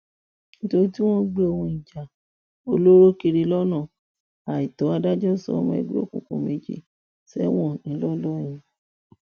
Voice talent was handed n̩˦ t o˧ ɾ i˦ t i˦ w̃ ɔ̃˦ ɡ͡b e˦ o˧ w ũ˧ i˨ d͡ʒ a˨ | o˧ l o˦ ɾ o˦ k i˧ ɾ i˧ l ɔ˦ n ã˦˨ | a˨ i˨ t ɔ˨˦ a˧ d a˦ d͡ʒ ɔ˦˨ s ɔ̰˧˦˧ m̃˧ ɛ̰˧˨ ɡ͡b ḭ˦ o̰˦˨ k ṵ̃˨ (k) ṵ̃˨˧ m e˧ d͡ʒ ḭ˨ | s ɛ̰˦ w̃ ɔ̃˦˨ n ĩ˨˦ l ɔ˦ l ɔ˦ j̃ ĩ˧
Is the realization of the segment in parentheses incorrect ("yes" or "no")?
no